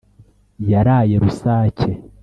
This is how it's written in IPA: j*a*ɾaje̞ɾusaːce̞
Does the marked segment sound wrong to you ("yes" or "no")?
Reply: no